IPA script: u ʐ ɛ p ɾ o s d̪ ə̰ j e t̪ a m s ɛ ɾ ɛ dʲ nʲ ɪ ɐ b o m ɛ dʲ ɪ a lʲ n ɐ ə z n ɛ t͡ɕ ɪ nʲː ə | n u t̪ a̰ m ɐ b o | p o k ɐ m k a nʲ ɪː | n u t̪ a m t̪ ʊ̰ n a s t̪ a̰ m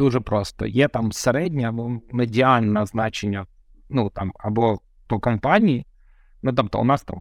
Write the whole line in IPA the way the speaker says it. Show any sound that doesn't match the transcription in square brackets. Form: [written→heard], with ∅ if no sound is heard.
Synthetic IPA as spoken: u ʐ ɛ p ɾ o s [d̪→t̪] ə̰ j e t̪ a m s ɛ ɾ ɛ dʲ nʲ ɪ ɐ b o m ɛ dʲ ɪ a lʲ n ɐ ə z n [ɛ→a] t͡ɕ ɪ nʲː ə | n u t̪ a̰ m ɐ b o | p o k ɐ m [k→p] a nʲ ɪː | n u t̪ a m t̪ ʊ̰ n a s t̪ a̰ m